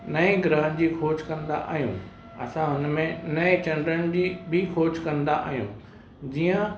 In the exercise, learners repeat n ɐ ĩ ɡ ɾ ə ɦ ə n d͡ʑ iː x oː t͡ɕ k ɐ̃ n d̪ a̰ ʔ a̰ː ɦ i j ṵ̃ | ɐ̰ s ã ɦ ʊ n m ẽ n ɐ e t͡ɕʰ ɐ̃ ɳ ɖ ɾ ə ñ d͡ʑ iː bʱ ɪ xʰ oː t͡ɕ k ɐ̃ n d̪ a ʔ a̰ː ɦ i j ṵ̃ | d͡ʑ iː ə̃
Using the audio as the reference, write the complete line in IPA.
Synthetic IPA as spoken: n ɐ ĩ ɡ ɾ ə ɦ ə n d͡ʑ iː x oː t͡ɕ k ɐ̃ n d̪ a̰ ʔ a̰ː ɦ i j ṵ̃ | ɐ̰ s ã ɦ ʊ n m ẽ n ɐ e t͡ɕ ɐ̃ ɳ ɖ ɾ ə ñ d͡ʑ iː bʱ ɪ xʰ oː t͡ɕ k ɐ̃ n d̪ a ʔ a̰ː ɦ i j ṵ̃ | d͡ʑ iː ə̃